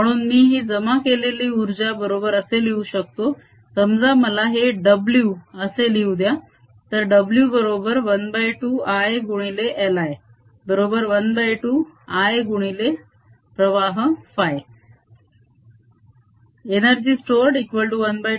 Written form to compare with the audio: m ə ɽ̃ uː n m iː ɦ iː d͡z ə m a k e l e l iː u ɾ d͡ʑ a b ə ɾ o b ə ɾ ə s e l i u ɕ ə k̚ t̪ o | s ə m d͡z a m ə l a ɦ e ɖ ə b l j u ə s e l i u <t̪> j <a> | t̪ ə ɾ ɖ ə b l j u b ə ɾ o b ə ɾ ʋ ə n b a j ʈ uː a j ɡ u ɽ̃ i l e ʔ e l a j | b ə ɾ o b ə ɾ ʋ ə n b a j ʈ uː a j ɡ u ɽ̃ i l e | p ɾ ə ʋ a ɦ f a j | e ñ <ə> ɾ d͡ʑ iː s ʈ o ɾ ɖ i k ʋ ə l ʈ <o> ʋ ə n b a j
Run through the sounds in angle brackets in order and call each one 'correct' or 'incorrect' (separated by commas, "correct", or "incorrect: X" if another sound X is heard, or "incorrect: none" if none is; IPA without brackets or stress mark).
incorrect: d̪, correct, correct, incorrect: u